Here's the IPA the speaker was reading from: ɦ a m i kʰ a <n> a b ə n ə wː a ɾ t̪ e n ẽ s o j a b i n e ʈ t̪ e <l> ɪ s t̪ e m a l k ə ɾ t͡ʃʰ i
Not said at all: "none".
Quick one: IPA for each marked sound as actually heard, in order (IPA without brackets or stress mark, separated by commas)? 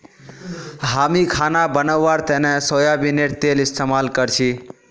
n, l